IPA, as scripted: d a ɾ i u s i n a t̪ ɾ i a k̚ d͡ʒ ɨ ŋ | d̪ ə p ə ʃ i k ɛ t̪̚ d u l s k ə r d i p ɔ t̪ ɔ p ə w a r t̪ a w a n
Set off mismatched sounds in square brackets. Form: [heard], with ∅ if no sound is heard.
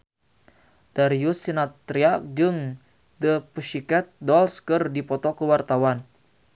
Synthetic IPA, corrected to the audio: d a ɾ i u s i n a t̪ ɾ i a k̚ d͡ʒ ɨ ŋ | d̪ ə p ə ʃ i k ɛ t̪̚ d [ɔ] l s k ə r d i p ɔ t̪ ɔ [k] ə w a r t̪ a w a n